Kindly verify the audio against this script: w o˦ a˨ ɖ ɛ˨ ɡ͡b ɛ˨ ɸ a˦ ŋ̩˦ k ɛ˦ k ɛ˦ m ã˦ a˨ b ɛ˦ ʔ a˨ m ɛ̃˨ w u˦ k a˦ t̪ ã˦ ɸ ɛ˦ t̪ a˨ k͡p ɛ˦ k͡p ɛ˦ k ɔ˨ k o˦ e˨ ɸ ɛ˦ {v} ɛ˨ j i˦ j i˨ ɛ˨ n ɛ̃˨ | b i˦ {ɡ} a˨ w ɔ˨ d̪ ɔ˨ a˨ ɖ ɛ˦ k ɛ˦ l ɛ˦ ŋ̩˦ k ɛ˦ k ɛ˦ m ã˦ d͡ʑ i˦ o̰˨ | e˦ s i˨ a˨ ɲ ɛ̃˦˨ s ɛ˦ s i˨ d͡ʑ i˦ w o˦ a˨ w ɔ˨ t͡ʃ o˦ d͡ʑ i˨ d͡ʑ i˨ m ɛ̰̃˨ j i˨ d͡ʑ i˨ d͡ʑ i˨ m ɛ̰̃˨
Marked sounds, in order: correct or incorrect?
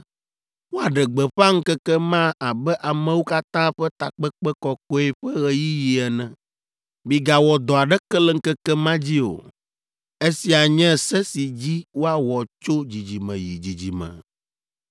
incorrect: ɣ, correct

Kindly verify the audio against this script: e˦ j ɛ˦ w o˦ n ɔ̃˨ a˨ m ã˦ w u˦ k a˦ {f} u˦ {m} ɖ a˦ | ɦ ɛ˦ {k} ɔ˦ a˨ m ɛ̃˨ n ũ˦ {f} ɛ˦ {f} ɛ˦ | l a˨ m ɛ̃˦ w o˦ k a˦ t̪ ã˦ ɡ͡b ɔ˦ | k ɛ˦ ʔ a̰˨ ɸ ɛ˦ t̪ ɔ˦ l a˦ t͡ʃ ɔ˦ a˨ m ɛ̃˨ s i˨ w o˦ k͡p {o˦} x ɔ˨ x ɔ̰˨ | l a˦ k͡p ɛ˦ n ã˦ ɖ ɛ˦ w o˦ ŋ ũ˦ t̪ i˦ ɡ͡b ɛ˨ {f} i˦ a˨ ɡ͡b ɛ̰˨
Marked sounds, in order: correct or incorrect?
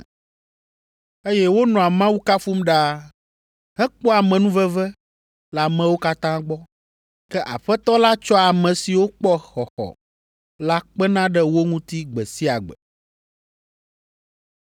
correct, correct, incorrect: k͡p, incorrect: v, incorrect: v, incorrect: ɔ˦, incorrect: s

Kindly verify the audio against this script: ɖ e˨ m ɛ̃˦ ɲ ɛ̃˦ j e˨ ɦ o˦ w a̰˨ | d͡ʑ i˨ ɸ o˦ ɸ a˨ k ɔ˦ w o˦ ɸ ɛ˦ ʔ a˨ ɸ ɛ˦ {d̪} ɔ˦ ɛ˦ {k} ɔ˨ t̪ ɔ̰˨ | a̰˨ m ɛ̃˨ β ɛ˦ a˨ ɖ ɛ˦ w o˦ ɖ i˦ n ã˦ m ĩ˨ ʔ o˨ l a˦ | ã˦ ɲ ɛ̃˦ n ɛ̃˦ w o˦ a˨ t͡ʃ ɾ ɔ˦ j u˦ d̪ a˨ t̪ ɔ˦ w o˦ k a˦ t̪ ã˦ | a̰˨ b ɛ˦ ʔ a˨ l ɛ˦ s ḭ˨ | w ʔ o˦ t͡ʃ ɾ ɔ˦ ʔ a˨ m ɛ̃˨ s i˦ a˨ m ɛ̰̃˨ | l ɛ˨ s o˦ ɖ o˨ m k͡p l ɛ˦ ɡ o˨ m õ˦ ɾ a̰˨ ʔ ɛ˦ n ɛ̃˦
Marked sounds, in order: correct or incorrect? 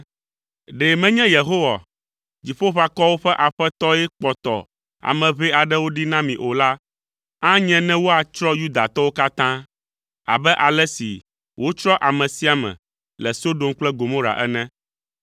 incorrect: t̪, incorrect: k͡p

